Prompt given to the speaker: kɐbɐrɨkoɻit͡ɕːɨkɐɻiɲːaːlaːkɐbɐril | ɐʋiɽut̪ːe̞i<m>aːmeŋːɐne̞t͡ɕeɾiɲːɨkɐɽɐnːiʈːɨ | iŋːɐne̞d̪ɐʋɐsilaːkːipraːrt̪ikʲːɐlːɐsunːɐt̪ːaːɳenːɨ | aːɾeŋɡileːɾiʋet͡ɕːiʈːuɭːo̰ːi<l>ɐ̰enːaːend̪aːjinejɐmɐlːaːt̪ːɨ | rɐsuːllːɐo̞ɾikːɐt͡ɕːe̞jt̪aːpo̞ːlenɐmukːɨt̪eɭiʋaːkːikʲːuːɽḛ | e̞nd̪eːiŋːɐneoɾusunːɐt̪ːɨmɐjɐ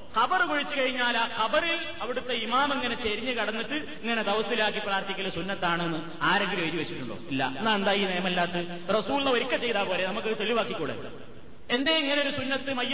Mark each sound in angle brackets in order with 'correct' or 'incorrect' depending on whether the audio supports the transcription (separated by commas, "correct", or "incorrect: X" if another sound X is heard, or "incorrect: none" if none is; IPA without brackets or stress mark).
correct, incorrect: lː